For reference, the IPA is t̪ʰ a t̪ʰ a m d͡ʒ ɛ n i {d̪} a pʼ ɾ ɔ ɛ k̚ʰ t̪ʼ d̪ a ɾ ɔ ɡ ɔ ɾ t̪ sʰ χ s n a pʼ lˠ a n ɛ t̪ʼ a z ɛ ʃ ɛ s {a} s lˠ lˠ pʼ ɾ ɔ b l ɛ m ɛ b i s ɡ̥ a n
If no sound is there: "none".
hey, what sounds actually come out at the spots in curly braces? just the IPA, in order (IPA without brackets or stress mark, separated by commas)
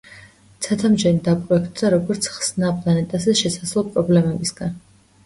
d̪, a